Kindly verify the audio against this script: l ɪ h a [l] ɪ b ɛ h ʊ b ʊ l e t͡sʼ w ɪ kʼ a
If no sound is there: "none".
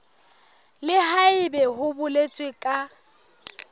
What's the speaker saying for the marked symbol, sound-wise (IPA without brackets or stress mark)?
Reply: none